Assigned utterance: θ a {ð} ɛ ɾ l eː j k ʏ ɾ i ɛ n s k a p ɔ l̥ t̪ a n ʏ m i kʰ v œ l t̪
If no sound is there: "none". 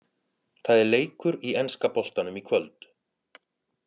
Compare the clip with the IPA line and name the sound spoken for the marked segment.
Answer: ð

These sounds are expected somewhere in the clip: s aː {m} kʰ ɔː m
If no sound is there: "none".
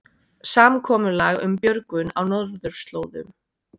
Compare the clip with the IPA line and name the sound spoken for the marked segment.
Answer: m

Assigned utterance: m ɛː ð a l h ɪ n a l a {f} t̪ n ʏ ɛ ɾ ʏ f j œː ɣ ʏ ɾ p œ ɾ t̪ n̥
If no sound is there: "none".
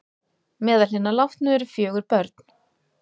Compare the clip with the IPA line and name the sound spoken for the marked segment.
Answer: f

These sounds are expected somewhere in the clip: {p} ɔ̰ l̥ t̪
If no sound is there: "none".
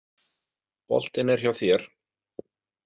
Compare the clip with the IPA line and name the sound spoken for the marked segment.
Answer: p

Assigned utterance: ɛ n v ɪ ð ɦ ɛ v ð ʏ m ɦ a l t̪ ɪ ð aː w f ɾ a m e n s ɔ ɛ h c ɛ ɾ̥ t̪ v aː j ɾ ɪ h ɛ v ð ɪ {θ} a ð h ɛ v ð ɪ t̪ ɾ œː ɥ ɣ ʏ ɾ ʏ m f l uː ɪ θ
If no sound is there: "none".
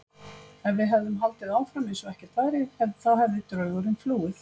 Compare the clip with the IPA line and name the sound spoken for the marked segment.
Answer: θ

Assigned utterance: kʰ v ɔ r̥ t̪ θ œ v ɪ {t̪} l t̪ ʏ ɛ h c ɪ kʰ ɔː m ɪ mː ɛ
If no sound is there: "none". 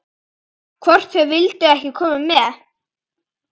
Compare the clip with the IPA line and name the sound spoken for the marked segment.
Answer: none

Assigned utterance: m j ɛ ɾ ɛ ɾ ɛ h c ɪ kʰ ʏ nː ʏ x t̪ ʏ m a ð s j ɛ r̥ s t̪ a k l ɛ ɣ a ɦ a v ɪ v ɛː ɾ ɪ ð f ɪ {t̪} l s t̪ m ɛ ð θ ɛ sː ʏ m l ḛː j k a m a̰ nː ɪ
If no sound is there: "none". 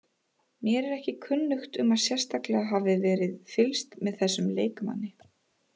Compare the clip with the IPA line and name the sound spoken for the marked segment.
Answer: none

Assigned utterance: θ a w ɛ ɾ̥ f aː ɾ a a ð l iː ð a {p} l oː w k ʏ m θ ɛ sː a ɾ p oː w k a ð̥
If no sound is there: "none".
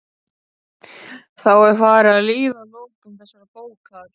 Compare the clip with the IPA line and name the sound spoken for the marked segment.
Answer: none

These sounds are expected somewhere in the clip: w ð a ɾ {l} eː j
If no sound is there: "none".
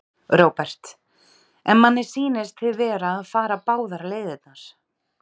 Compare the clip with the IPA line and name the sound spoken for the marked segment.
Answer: l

